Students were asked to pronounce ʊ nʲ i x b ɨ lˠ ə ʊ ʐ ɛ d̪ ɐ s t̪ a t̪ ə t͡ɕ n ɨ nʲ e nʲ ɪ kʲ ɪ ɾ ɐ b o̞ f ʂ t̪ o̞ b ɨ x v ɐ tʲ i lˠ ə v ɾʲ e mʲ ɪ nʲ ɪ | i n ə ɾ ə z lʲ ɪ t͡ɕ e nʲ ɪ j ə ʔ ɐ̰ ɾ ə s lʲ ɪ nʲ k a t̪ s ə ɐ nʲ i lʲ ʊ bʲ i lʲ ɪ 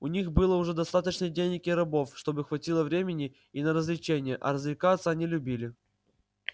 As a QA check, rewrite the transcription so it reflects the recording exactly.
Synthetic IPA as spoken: ʊ nʲ i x b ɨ lˠ ə ʊ ʐ ɛ d̪ ɐ s t̪ a t̪ ə t͡ɕ n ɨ dʲ e nʲ ɪ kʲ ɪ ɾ ɐ b o̞ f ʂ t̪ o̞ b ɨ x v ɐ tʲ i lˠ ə v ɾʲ e mʲ ɪ nʲ ɪ | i n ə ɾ ə z lʲ ɪ t͡ɕ e nʲ ɪ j ə ʔ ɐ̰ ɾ ə z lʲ ɪ k a t̪ s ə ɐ nʲ i lʲ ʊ bʲ i lʲ ɪ